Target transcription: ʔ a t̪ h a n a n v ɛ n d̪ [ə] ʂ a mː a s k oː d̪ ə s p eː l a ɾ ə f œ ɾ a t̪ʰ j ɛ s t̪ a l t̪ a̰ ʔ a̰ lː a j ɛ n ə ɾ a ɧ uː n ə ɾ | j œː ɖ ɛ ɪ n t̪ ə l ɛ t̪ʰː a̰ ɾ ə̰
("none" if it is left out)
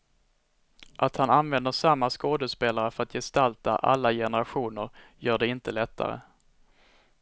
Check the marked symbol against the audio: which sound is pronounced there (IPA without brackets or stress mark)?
ə